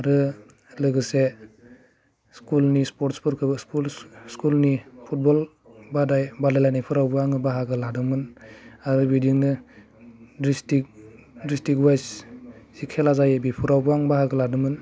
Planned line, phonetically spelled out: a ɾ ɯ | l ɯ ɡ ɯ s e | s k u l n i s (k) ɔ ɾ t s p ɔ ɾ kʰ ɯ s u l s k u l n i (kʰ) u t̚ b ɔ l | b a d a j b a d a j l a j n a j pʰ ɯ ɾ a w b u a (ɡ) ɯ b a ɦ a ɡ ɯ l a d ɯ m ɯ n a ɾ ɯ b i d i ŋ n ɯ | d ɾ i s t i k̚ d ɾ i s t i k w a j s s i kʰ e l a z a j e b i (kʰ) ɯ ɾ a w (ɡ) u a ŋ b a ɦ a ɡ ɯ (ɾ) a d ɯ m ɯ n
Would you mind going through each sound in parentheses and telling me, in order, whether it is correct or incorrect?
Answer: incorrect: p, incorrect: pʰ, incorrect: ŋ, incorrect: pʰ, incorrect: b, incorrect: l

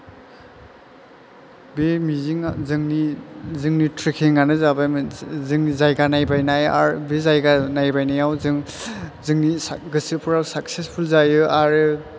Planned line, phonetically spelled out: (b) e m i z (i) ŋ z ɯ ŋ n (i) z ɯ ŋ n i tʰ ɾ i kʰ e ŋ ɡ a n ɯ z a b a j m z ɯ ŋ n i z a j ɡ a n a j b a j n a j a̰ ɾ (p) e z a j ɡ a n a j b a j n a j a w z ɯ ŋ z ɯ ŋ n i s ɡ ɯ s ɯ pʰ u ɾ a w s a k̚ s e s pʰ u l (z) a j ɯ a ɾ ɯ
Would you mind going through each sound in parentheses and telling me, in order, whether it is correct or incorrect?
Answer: correct, correct, correct, incorrect: b, correct

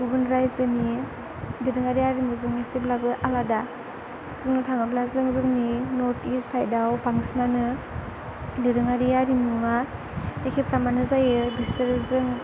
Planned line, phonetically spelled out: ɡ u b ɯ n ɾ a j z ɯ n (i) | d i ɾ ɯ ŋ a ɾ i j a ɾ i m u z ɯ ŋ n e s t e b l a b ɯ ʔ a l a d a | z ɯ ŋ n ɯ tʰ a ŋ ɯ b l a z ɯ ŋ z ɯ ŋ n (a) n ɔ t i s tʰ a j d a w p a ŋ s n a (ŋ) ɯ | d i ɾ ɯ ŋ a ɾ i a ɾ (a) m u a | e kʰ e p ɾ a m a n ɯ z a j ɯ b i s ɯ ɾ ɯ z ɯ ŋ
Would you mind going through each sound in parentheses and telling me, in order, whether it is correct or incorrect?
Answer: correct, incorrect: i, incorrect: n, incorrect: i

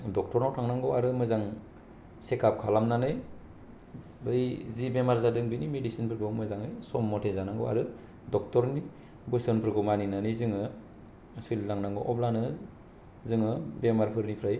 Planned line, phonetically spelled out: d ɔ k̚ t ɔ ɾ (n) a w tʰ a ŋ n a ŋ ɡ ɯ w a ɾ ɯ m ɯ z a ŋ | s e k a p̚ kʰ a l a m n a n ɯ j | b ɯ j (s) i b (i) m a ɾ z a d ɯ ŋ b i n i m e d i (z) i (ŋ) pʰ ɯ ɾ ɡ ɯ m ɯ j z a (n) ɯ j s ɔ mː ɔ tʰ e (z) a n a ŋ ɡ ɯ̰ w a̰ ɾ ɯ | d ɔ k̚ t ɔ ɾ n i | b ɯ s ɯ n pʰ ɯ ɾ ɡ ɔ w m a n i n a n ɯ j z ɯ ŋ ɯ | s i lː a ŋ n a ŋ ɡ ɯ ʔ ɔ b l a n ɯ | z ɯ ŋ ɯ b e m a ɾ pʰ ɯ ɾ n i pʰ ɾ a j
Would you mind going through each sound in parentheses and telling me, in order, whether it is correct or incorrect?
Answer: correct, incorrect: z, incorrect: e, incorrect: s, incorrect: n, incorrect: ŋ, correct

